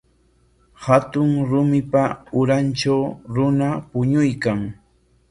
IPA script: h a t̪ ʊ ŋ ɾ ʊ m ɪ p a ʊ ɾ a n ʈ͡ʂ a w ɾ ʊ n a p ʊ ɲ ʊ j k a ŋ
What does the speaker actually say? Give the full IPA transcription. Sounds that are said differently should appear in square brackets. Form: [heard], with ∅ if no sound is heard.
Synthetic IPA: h a t̪ ʊ ŋ ɾ ʊ m ɪ p a ʊ ɾ a n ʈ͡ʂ a w ɾ ʊ n a p ʊ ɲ ʊ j k a ŋ